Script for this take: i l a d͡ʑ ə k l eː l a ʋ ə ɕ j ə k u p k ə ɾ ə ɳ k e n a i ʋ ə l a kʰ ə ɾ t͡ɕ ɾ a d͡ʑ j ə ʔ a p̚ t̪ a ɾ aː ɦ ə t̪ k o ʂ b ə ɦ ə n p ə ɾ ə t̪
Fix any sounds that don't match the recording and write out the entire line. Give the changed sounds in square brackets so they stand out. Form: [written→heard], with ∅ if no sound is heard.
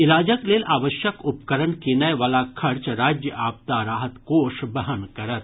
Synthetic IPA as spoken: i l a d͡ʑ ə k l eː l a ʋ ə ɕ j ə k u p k ə ɾ ə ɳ k e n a [i→j] ʋ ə l a kʰ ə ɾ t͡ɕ ɾ a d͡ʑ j ə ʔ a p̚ t̪ a ɾ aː ɦ ə t̪ k o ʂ b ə ɦ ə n [p→k] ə ɾ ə t̪